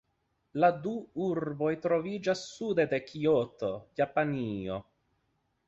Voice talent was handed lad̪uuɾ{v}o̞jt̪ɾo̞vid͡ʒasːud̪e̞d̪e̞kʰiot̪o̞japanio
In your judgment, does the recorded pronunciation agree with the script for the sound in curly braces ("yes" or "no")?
no